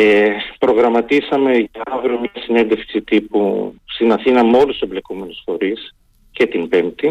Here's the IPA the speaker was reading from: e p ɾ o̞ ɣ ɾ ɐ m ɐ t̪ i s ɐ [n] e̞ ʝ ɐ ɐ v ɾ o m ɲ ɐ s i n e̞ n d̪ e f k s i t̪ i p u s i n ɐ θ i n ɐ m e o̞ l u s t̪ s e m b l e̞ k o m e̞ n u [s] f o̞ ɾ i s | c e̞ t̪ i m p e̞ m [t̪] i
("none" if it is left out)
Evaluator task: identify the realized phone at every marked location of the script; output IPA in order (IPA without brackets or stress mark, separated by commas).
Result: m, s, t̪